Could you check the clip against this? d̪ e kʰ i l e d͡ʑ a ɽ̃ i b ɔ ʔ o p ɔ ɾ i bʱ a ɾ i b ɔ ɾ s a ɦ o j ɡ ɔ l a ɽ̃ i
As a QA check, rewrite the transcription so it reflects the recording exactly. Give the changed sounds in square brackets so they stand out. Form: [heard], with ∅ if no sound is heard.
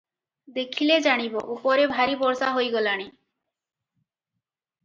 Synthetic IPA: d̪ e kʰ i l e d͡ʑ a ɽ̃ i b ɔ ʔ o p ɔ ɾ [e] bʱ a ɾ i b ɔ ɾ s a ɦ o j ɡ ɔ l a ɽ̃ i